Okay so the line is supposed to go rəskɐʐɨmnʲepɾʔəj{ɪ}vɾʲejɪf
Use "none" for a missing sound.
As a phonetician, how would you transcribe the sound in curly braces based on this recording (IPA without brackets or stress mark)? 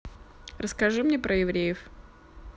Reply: ɪ